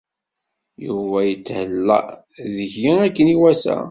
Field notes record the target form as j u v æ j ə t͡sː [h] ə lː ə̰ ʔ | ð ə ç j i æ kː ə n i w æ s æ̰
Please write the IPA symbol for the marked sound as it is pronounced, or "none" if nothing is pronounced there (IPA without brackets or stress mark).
h